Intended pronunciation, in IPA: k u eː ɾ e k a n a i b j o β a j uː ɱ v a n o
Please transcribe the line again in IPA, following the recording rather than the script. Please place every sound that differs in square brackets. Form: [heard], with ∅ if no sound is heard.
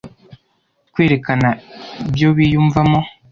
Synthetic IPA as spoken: k [w] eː ɾ e k a n a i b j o β [i] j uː ɱ v a [m] o